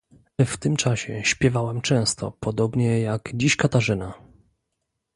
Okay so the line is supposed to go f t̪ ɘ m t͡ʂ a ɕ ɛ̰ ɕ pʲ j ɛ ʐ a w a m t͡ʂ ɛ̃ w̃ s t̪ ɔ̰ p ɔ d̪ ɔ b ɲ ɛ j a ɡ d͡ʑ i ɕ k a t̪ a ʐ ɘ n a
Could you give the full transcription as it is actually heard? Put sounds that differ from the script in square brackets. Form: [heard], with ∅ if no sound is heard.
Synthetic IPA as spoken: f t̪ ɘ m t͡ʂ a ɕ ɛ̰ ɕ pʲ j ɛ [v] a w [ɛ] m t͡ʂ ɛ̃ w̃ s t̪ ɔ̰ p ɔ d̪ ɔ b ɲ ɛ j a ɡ d͡ʑ i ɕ k a t̪ a ʐ ɘ n a